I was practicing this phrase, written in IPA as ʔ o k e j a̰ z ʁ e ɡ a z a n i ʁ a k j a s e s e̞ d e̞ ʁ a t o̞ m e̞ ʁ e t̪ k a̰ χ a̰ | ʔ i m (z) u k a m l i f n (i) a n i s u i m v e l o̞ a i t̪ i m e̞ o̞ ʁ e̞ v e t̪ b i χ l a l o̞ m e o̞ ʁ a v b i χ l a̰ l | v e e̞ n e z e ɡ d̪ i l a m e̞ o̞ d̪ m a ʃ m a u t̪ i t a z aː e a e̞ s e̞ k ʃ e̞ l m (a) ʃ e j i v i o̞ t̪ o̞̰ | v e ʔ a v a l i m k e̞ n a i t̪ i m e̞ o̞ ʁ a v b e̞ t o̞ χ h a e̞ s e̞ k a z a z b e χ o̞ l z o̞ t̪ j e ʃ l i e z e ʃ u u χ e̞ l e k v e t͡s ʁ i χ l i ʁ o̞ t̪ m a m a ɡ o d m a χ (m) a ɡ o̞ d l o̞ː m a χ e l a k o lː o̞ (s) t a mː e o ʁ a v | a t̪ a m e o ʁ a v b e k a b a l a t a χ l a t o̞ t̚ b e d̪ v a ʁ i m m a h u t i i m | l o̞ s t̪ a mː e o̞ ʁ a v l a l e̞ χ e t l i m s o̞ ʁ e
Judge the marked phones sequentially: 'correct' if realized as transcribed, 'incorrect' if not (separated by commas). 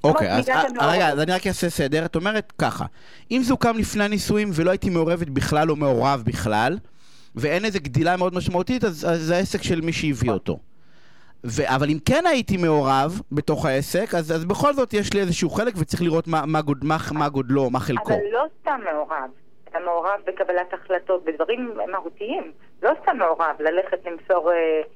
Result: correct, incorrect, incorrect, correct, correct